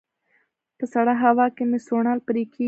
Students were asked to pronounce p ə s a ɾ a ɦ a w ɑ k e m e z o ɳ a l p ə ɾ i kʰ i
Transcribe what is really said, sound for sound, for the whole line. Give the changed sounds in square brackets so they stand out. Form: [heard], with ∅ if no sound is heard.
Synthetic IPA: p ə s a [ɽ] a ɦ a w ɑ k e m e [s] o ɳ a l p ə ɾ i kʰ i

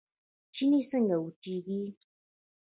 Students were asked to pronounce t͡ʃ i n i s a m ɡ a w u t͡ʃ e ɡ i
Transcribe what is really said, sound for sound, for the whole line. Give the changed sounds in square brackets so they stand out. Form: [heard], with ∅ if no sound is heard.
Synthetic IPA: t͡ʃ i n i s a [ŋ] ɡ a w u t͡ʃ [i] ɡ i

